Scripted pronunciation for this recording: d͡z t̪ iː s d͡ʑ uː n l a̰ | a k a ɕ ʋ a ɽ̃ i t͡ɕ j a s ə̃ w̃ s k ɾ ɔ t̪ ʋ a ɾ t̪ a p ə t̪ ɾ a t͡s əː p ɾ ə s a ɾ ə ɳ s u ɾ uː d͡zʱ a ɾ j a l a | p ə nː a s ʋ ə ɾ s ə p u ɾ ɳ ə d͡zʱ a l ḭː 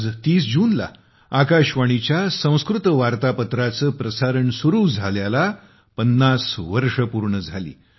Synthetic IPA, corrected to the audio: d͡z t̪ iː s d͡ʑ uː n l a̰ | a k a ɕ ʋ a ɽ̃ i t͡ɕ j a s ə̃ w̃ s k ɾ u t̪ ʋ a ɾ t̪ a p ə t̪ ɾ a t͡s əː p ɾ ə s a ɾ ə ɳ s u ɾ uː d͡zʱ a l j a l a | p ə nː a s ʋ ə ɾ ʂ ə p u ɾ ɳ ə d͡zʱ a l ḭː